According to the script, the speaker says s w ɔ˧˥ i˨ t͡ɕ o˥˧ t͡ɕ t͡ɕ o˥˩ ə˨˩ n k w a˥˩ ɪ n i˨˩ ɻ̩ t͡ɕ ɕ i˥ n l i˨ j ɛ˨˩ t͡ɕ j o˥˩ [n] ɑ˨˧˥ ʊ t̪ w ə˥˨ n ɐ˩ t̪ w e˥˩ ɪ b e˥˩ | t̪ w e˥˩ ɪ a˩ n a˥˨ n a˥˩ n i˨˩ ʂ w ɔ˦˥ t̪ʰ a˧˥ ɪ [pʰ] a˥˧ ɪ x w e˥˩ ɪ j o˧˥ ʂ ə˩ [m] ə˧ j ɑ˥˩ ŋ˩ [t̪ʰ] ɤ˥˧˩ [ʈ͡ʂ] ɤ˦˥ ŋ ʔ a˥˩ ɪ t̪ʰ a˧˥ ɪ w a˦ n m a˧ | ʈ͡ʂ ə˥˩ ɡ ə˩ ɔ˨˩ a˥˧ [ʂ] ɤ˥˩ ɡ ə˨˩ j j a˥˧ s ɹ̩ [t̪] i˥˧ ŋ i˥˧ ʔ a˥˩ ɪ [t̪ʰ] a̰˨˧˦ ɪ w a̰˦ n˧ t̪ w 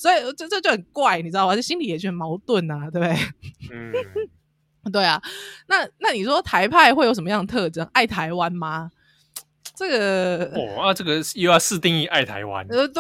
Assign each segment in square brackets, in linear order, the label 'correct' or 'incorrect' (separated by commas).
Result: incorrect, correct, correct, correct, correct, incorrect, correct, correct